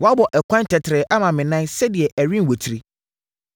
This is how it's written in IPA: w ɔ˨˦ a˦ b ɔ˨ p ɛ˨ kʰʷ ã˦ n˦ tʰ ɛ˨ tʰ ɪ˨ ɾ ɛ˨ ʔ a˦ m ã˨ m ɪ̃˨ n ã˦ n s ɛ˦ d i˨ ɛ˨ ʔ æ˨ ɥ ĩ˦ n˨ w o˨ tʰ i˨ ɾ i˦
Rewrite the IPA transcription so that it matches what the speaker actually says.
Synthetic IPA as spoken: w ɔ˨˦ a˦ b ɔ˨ ʔ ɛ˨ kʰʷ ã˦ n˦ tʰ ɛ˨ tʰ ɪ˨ ɾ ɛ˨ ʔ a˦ m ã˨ m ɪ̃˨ n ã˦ n s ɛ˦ d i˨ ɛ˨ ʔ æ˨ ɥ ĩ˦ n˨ w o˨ tʰ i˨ ɾ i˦